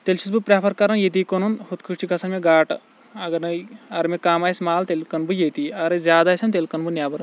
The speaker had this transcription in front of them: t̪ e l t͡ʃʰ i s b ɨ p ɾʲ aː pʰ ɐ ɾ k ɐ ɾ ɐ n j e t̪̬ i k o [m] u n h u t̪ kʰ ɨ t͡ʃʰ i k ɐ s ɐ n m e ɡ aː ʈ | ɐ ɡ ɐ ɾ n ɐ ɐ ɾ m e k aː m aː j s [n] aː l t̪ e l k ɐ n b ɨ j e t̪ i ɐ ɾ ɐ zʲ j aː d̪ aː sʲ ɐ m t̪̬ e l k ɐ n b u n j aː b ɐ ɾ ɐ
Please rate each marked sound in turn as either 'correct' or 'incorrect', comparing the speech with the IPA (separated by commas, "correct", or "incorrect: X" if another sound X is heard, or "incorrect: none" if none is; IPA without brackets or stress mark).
incorrect: n, incorrect: m